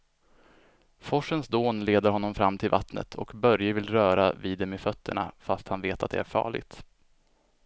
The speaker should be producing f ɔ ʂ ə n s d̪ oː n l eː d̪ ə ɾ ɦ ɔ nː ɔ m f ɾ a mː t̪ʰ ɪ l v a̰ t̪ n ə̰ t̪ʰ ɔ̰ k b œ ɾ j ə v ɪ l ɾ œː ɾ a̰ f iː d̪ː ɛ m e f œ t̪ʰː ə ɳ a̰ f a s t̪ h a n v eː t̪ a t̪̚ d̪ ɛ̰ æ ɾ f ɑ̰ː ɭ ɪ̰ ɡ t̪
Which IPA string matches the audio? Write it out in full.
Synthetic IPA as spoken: f ɔ ʂ ə n s d̪ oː n l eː d̪ ə ɾ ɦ ɔ nː ɔ m f ɾ a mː t̪ʰ ɪ l v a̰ t̪ n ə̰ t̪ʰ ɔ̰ k b œ ɾ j ə v ɪ l ɾ œː ɾ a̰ v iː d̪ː ɛ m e f œ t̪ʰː ə ɳ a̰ f a s t̪ h a n v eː t̪ a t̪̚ d̪ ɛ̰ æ ɾ f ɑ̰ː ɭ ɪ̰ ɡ t̪